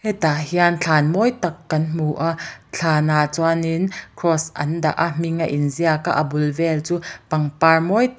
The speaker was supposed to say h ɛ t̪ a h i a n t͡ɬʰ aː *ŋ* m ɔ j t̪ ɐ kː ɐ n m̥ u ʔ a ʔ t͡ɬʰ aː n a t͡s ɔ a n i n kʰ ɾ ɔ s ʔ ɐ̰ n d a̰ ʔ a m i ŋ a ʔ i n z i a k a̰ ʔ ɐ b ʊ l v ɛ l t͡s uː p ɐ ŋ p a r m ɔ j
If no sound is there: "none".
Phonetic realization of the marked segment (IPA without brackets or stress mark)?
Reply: n